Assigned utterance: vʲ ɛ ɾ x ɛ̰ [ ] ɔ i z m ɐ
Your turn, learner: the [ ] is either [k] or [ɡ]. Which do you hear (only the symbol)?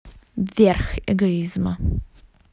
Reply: ɡ